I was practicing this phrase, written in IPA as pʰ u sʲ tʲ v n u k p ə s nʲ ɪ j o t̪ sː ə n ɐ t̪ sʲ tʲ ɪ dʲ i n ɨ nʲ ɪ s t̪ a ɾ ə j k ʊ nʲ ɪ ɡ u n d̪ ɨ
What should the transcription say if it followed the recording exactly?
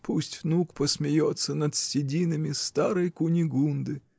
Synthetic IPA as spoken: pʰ u sʲ tʲ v n u k p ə s mʲ ɪ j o t̪ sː ə n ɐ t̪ sʲ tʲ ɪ dʲ i n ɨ mʲ ɪ s t̪ a ɾ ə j k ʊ nʲ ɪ ɡ u n d̪ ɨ